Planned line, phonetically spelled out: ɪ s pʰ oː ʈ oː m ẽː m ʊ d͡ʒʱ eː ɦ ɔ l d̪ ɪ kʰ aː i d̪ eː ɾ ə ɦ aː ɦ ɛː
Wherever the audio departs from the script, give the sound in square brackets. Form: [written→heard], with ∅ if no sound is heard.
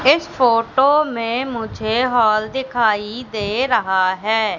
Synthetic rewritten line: ɪ s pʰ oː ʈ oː m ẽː m ʊ d͡ʒʱ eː ɦ [ɔ→ɔː] l d̪ ɪ kʰ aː i d̪ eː ɾ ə ɦ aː ɦ ɛː

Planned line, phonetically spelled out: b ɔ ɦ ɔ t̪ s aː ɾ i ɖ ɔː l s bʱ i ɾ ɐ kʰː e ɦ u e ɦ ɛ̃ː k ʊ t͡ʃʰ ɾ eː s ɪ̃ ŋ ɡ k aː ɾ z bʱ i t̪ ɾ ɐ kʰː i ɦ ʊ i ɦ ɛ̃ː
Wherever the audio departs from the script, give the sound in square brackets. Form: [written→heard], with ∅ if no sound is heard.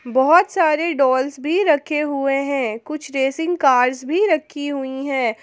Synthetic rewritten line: b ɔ ɦ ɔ t̪ s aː ɾ [i→e] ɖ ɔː l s bʱ i ɾ ɐ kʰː e ɦ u e ɦ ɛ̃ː k ʊ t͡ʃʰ ɾ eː s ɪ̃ ŋ ɡ k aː ɾ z bʱ i [t̪→∅] ɾ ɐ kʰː i ɦ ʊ i ɦ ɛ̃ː

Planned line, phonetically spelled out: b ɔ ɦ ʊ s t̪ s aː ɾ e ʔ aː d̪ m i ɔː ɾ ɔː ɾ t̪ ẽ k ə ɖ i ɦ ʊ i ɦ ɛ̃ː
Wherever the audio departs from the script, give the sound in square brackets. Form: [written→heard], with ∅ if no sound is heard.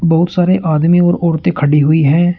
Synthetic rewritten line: b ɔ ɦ ʊ [s→∅] t̪ s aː ɾ e ʔ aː d̪ m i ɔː ɾ ɔː ɾ t̪ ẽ [k→kʰ] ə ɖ i ɦ ʊ i ɦ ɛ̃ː

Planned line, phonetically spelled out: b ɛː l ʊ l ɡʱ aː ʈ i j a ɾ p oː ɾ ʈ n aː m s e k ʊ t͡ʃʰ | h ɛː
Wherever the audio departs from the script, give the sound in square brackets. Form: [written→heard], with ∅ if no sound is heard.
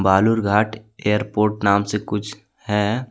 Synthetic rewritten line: b [ɛː→aː] l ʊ [l→ɾ] ɡʱ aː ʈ [i→e] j [a→ə] ɾ p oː ɾ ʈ n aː m s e k ʊ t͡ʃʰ | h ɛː

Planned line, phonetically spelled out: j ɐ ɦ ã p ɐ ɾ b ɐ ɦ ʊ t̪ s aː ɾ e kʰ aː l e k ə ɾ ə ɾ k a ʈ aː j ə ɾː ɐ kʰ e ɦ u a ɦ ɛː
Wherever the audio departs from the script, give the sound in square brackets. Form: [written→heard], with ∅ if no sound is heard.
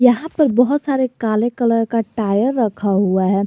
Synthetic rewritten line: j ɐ ɦ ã p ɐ ɾ b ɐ ɦ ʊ t̪ s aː ɾ e [kʰ→k] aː l e k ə [ɾ→l] ə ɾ k a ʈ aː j ə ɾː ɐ kʰ [e→a] ɦ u a ɦ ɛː

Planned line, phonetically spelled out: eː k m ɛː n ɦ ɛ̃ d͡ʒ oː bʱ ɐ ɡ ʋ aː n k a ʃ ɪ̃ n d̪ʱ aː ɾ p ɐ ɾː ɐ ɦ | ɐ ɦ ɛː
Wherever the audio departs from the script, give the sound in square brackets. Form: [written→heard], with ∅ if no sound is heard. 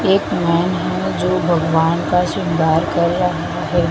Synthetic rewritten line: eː k m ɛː n ɦ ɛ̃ d͡ʒ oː bʱ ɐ ɡ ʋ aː n k a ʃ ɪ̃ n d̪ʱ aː ɾ [p→k] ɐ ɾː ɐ ɦ | [ɐ→a] ɦ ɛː

